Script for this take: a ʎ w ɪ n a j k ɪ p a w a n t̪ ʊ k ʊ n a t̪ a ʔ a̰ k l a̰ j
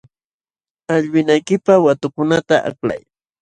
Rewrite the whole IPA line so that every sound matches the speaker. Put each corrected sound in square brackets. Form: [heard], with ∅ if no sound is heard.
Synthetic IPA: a ʎ w ɪ n a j k ɪ p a w a [∅] t̪ ʊ k ʊ n a t̪ a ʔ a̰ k l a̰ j